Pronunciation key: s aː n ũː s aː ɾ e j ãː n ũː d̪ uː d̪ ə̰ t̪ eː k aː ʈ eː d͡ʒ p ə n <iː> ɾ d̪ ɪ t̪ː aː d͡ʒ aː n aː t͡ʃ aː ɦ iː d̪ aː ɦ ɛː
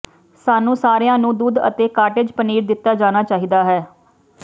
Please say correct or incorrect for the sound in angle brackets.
correct